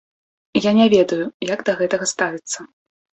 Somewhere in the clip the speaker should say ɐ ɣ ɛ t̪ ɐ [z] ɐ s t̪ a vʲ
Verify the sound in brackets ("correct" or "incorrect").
incorrect